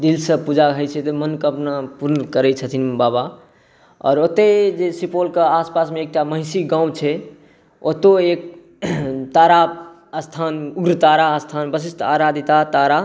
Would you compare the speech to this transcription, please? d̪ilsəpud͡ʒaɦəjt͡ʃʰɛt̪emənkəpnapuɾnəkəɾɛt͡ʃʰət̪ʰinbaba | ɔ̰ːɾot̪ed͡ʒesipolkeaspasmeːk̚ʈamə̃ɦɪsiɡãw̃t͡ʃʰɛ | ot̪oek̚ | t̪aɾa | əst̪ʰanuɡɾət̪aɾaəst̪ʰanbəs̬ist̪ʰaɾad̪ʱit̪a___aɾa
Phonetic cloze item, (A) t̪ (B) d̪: A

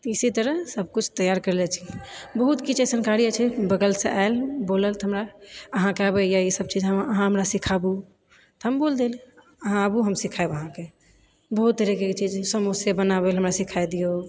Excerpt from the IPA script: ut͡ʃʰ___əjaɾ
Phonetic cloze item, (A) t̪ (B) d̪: A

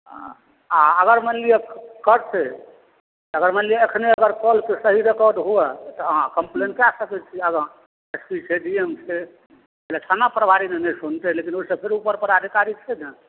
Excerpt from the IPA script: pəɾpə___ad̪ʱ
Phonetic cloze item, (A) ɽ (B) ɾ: B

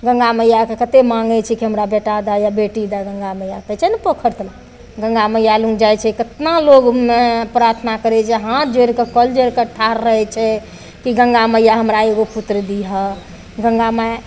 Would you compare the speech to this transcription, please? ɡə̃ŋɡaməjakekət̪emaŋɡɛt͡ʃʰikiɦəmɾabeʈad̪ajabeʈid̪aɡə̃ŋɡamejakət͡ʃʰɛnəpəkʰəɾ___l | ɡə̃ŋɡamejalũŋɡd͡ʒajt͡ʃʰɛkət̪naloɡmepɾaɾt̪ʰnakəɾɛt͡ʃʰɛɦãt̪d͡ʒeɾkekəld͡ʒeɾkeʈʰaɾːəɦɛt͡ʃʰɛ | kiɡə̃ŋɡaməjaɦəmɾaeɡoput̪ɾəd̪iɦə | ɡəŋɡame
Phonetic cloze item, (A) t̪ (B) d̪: A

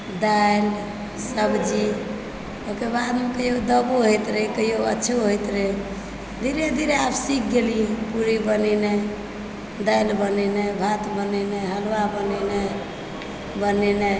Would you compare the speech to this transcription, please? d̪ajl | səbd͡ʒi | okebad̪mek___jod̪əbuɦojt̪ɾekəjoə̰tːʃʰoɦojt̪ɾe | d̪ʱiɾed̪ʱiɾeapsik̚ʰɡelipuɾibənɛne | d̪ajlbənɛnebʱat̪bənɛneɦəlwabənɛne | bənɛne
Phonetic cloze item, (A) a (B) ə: B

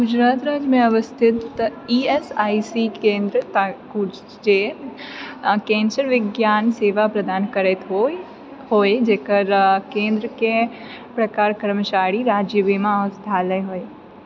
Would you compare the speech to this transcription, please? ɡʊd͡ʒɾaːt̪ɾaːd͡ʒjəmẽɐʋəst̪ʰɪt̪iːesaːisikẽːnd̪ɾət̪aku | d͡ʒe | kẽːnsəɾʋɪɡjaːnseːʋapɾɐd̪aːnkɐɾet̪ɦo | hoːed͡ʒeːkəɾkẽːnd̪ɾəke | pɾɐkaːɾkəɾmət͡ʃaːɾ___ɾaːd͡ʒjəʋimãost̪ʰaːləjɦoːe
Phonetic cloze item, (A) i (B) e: A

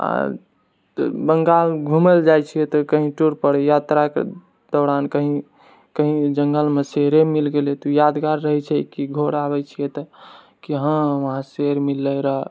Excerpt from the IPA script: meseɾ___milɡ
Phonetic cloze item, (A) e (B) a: A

